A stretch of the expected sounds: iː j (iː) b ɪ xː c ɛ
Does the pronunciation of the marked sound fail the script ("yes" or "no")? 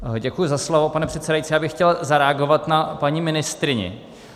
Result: yes